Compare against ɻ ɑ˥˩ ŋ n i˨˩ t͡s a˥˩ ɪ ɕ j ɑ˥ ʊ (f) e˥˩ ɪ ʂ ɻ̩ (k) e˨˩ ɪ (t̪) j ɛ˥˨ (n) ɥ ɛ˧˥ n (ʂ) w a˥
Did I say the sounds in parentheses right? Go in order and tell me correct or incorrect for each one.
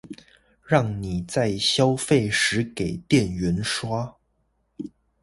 correct, correct, correct, correct, correct

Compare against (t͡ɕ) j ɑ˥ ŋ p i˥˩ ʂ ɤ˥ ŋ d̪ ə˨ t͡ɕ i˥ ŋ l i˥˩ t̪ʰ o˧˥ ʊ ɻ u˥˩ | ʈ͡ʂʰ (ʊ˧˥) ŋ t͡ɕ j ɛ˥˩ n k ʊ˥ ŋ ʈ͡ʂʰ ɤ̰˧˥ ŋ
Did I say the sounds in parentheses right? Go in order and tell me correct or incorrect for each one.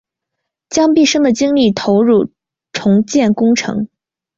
correct, correct

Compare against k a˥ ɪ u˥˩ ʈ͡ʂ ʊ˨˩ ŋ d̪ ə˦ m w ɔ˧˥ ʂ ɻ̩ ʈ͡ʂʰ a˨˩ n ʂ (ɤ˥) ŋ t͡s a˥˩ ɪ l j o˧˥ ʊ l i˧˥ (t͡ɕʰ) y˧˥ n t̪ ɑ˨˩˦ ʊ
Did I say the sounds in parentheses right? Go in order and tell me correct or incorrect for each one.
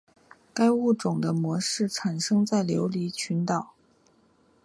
correct, correct

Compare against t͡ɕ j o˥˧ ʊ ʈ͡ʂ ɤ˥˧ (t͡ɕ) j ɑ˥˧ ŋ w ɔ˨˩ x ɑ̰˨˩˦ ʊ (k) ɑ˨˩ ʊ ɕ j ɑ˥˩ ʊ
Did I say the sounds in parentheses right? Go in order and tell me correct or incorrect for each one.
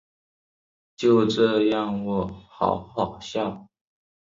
incorrect, incorrect

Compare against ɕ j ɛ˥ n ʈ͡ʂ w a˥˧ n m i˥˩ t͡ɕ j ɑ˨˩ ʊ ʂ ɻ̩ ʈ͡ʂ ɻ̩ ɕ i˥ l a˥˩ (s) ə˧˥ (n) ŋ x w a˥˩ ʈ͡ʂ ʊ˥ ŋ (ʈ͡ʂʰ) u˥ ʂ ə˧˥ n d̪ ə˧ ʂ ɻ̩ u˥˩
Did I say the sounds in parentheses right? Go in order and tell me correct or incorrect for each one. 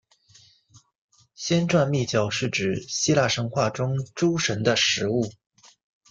incorrect, incorrect, incorrect

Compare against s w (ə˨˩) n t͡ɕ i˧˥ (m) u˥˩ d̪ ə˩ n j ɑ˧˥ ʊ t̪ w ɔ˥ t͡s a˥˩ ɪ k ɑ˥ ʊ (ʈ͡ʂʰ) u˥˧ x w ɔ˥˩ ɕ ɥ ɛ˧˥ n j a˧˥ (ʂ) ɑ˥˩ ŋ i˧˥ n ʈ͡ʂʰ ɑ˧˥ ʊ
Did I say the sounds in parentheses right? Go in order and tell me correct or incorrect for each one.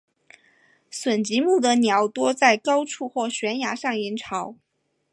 correct, correct, correct, correct

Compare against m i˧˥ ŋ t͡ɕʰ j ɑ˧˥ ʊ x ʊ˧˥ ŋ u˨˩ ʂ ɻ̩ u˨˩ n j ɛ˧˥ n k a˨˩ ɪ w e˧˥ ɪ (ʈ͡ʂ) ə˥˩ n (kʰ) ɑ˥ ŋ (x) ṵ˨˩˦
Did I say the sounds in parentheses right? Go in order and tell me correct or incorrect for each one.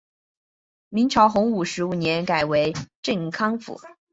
correct, correct, incorrect

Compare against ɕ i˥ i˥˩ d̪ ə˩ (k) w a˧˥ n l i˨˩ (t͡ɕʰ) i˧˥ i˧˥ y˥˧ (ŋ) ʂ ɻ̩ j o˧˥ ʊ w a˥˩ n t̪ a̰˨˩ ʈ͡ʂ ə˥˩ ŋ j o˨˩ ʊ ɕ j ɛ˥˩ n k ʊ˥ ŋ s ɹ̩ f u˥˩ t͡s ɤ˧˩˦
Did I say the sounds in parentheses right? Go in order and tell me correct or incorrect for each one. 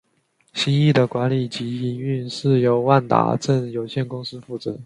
correct, incorrect, incorrect

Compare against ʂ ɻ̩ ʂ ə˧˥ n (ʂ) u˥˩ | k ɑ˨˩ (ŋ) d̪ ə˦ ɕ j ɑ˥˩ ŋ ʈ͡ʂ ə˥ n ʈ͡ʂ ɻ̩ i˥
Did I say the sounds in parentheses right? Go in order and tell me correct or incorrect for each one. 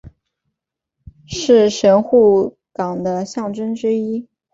incorrect, correct

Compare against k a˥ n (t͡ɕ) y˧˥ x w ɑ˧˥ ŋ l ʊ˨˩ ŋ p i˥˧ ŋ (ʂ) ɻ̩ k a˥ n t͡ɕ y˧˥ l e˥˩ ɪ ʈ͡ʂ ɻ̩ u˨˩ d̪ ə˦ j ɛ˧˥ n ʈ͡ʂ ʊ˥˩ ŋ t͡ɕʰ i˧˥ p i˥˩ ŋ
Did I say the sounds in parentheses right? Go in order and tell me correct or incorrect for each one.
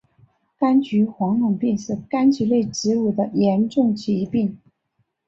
correct, correct

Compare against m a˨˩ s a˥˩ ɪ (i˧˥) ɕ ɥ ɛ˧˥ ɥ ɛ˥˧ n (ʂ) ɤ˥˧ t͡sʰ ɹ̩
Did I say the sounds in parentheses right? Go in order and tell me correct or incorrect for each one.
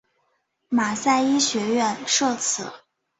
incorrect, correct

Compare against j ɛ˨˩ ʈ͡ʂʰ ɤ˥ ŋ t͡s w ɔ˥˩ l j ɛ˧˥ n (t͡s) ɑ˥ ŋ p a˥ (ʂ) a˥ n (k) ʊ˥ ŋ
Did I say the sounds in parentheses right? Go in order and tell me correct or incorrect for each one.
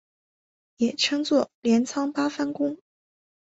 incorrect, incorrect, correct

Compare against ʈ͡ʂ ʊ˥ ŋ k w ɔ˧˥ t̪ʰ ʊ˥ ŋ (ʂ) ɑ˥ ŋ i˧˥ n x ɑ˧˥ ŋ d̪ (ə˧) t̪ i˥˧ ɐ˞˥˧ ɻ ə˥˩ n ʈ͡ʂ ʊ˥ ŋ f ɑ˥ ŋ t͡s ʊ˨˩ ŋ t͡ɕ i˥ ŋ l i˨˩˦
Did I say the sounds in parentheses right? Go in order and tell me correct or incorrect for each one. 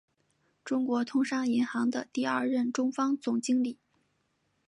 correct, correct

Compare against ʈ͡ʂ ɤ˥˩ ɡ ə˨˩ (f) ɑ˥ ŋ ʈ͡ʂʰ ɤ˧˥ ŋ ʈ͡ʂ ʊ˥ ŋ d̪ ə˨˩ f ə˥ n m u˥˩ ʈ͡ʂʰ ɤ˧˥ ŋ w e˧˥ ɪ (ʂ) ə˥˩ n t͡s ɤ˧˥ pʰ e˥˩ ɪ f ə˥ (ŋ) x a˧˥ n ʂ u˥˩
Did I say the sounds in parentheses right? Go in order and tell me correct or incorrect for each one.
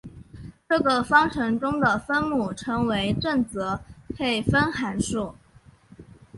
correct, incorrect, incorrect

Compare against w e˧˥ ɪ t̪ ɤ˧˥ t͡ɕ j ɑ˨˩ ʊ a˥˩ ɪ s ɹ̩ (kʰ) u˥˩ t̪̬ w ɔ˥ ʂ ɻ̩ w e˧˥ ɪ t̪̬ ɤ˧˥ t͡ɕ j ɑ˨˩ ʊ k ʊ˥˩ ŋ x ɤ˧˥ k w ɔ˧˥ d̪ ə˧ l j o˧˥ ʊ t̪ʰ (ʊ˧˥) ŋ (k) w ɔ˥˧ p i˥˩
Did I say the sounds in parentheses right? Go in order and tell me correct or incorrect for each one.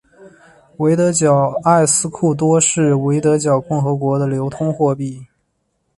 correct, incorrect, incorrect

